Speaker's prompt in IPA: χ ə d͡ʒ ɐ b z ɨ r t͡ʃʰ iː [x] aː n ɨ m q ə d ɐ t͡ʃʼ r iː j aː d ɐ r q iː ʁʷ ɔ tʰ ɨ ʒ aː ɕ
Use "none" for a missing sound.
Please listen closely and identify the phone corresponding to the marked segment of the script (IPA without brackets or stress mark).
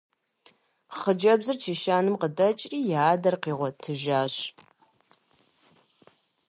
ʃ